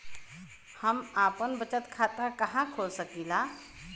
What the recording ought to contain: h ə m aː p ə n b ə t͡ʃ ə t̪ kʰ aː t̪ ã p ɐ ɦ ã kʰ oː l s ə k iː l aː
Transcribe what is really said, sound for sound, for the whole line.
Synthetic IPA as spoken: h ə m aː p ə n b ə t͡ʃ ə t̪ kʰ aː t̪ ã k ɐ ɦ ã kʰ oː l s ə k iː l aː